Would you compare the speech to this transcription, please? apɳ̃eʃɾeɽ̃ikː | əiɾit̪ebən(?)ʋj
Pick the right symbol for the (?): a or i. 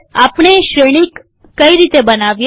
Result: a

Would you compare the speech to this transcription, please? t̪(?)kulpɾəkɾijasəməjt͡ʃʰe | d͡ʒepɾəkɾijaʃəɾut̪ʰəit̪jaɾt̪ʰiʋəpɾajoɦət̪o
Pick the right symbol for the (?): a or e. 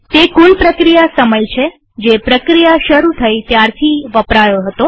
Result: e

